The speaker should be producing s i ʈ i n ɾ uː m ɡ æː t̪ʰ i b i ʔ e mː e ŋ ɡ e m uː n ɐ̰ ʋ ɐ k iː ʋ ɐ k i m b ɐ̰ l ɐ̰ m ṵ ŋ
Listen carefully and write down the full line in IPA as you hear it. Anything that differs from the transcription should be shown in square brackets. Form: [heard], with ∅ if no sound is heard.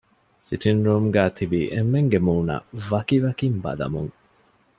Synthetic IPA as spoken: s i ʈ i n ɾ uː m ɡ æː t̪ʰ i b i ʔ e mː e ŋ ɡ e m uː n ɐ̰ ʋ ɐ k [i] ʋ ɐ k i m b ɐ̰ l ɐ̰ m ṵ ŋ